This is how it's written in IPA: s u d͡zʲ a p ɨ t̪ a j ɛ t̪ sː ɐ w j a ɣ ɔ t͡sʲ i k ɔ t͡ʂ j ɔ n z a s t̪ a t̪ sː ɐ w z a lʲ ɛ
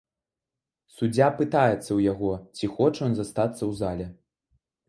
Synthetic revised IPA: s u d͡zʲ a p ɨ t̪ a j ɛ t̪ sː ɐ w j a ɣ ɔ t͡sʲ i x ɔ t͡ʂ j ɔ n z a s t̪ a t̪ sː ɐ w z a lʲ ɛ